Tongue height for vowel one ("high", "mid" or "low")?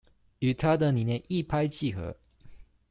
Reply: high